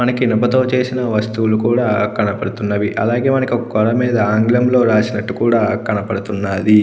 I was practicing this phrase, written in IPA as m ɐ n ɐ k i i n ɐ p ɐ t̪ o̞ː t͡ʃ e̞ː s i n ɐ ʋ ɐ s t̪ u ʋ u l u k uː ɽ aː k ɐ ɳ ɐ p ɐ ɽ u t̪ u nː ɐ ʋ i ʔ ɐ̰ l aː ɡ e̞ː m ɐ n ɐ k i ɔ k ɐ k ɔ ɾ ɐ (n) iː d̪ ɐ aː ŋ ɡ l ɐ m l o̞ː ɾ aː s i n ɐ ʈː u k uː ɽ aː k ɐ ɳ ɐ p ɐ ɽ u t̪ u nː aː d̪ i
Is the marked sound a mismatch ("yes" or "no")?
yes